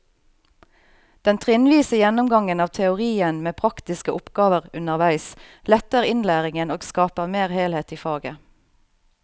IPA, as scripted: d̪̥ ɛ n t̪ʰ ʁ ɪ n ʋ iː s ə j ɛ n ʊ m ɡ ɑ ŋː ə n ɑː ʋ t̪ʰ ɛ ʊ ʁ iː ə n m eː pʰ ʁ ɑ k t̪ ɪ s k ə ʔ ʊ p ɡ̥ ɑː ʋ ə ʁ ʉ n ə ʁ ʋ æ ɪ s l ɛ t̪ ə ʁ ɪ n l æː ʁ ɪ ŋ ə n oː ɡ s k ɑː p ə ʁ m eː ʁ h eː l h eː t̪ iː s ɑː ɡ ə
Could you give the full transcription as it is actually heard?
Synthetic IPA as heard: d̪̥ ɛ n t̪ʰ ʁ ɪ n ʋ iː s ə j ɛ n ʊ m ɡ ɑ ŋ ə n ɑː ʋ t̪ʰ ɛ ʊ ʁ iː ə n m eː pʰ ʁ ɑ k t̪ ɪ s k ə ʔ ʊ p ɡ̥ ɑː ʋ ə ʁ ʉ n ə ʁ ʋ æ ɪ s l ɛ t̪ ə ʁ ɪ n l æː ʁ ɪ ŋ ə n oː ɡ s k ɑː p ə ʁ m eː ʁ h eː l h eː t̪ iː f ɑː ɡ ə